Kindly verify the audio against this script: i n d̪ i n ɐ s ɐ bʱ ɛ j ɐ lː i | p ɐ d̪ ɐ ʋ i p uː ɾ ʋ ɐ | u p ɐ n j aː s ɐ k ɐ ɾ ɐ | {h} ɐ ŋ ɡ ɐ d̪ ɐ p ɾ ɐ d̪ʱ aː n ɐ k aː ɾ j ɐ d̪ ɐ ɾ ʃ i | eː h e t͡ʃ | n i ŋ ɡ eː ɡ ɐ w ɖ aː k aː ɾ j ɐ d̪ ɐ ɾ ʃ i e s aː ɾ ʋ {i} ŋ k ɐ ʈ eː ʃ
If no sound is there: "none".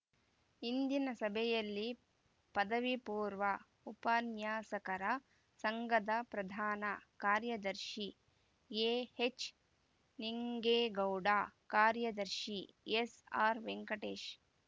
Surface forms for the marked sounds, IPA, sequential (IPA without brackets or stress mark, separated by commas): s, e